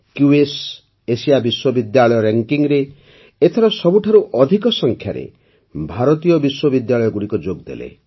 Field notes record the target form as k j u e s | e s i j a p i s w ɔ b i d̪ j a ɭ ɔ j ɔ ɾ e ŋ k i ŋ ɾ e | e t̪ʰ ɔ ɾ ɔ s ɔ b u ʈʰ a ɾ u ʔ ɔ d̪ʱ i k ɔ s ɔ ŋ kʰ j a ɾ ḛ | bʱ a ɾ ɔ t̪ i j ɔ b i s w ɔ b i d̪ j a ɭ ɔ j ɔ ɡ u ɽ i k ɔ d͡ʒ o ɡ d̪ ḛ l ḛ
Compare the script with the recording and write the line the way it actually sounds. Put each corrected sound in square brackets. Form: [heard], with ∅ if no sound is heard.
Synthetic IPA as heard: k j u e s | e s i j a [b] i s w ɔ b i d̪ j a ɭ ɔ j ɔ ɾ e ŋ k i ŋ ɾ e | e t̪ʰ ɔ ɾ ɔ s ɔ b u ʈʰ a ɾ u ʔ ɔ d̪ʱ i k ɔ s ɔ ŋ kʰ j a ɾ ḛ | bʱ a ɾ ɔ t̪ i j ɔ b i s w ɔ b i d̪ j a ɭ ɔ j ɔ ɡ u ɽ i k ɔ d͡ʒ o ɡ d̪ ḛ l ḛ